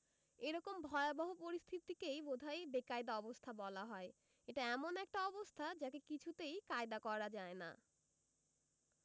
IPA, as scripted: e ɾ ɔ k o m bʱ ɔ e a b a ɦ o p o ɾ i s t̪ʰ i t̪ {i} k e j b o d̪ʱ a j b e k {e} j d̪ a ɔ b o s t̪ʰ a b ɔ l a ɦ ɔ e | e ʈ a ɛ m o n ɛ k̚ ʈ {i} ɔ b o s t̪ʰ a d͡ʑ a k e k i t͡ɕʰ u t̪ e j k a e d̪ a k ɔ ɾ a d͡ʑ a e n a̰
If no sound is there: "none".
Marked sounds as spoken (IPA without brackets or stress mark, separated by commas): i, a, a